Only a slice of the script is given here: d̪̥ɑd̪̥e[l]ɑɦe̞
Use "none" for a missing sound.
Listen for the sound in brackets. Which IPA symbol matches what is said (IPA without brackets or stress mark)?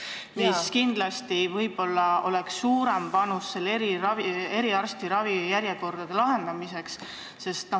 l